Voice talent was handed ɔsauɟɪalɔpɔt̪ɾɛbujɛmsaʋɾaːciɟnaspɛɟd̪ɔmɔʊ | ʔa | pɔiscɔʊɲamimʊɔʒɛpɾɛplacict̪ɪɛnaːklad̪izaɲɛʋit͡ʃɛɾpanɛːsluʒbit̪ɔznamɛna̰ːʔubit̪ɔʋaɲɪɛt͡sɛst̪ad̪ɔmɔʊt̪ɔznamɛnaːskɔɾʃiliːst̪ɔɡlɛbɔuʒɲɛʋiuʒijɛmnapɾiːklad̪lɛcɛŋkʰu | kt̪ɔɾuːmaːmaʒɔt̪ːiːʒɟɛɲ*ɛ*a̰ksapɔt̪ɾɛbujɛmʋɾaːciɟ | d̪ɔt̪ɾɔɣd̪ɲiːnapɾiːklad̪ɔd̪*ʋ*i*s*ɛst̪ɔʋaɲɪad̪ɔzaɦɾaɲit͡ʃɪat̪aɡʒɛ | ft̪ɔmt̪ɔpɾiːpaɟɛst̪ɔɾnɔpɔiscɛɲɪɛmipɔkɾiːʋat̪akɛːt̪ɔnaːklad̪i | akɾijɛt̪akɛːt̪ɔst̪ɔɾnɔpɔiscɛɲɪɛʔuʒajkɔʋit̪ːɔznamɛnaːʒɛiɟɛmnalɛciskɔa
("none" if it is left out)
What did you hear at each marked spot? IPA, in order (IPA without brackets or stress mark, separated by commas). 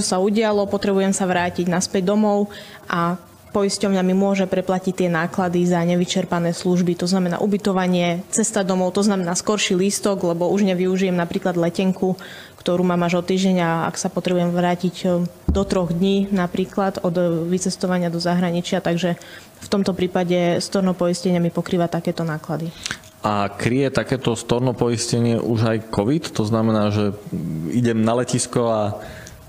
a, ʋ, t͡s